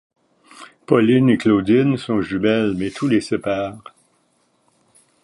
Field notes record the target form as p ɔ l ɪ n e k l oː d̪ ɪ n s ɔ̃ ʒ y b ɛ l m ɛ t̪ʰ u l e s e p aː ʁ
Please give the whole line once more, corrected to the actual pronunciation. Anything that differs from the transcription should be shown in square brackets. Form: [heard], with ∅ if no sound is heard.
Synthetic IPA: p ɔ l ɪ n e k l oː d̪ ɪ n s ɔ̃ ʒ y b ɛ l m ɛ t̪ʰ u l e s e p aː ʁ